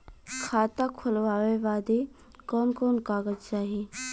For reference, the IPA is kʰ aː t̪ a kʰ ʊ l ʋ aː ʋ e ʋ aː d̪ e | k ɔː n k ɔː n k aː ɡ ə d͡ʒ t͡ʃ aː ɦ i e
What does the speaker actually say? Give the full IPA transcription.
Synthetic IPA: kʰ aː t̪ a kʰ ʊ l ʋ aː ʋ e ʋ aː d̪ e | k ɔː n k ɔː n k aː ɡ ə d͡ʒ t͡ʃ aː ɦ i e